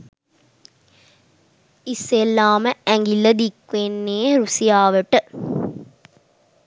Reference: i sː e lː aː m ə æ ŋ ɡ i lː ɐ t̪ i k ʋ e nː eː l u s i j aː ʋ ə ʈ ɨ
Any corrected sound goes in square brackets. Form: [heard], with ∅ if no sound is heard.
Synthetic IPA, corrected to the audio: i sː e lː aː m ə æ ŋ ɡ i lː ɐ [d̪] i k ʋ e nː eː [ɾ] u s i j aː ʋ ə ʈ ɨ